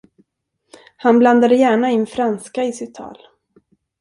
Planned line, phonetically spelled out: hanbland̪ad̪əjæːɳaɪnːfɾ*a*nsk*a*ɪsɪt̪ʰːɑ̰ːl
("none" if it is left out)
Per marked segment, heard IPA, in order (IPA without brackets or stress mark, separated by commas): a, a